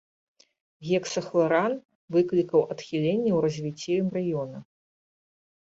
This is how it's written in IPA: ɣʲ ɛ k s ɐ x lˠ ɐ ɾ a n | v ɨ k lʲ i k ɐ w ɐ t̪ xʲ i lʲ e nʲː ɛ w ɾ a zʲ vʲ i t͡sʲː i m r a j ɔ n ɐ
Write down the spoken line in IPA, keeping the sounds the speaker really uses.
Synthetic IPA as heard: ɣʲ ɛ k s ɐ x lˠ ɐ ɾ a n | v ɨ k lʲ i k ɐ w ɐ t̪ xʲ i lʲ e nʲː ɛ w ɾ ɐ zʲ vʲ i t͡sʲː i m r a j ɔ n ɐ